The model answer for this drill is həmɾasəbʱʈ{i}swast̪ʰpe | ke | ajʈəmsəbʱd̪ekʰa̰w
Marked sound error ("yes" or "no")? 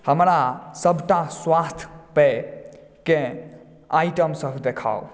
yes